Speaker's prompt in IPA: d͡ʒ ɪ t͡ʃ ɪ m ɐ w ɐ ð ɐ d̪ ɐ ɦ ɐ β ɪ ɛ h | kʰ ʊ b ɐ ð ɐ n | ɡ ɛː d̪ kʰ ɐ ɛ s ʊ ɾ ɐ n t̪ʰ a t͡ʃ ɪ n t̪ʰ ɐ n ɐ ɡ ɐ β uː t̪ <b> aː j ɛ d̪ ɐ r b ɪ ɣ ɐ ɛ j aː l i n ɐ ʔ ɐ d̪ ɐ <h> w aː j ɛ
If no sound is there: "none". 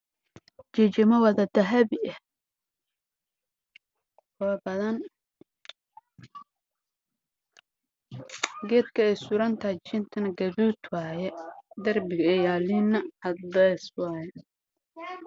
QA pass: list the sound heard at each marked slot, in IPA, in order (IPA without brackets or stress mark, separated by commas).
w, s